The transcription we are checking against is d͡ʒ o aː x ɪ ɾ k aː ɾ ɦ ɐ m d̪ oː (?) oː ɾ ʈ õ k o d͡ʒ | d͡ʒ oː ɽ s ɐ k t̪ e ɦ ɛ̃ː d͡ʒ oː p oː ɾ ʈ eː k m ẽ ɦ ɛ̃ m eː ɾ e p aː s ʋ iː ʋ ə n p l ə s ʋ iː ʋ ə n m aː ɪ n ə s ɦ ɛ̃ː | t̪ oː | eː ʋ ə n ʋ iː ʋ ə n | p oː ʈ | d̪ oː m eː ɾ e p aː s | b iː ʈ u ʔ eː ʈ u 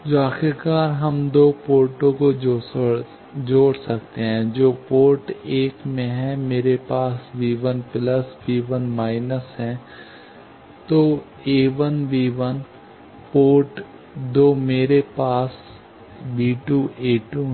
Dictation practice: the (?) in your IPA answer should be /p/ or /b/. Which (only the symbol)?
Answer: p